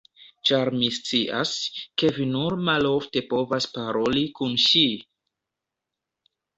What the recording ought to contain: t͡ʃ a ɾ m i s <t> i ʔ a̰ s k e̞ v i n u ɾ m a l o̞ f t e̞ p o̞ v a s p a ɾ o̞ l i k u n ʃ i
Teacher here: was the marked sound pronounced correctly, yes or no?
no